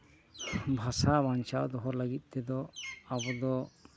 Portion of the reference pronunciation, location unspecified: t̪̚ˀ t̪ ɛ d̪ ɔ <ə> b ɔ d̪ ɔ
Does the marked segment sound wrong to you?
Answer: yes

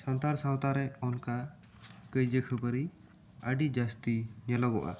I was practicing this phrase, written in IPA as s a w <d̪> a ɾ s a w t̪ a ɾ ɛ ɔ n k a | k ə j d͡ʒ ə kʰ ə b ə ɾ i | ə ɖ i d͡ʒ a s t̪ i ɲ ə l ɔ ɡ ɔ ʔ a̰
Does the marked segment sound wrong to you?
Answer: yes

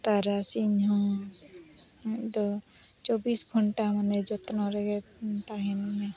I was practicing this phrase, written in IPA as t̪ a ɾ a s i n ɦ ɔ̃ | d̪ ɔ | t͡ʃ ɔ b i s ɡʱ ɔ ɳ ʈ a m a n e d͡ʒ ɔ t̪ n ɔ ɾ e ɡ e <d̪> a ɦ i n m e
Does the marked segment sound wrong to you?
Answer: yes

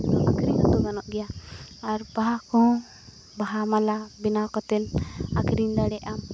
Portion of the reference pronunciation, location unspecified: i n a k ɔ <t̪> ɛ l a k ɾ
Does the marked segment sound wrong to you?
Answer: no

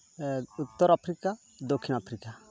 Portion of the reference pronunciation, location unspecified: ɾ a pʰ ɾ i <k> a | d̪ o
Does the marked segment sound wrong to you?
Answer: no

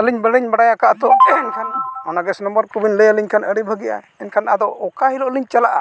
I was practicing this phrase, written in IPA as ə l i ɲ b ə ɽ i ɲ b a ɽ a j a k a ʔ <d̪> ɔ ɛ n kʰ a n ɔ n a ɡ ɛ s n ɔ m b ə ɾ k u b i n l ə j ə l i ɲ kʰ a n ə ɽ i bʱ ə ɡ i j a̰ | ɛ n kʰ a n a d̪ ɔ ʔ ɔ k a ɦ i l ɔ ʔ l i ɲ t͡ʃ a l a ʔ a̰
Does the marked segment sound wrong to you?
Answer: yes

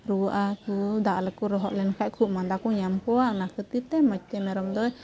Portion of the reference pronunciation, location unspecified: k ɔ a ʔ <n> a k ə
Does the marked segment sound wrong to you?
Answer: no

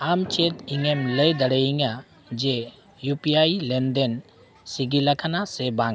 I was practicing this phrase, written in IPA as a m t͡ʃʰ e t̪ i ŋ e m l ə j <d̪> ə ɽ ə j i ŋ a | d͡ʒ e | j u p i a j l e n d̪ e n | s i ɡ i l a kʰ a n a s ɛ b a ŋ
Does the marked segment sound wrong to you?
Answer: no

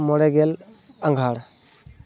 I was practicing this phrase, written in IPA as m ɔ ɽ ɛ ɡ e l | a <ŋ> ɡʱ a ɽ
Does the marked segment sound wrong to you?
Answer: no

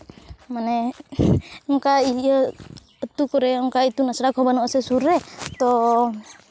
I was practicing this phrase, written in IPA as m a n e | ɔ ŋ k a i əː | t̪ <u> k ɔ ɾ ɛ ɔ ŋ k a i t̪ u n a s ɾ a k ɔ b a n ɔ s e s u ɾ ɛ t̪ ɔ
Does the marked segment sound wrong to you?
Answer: no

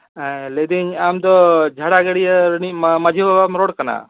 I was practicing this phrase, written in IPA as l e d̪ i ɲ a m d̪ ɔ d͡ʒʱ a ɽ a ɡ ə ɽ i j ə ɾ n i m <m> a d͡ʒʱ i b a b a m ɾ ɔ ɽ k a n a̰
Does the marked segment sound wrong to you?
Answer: no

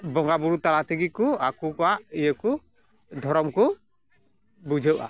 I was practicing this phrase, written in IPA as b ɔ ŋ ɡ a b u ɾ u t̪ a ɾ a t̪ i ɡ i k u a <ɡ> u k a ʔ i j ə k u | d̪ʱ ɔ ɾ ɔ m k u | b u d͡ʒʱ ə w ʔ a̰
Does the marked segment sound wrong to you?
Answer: yes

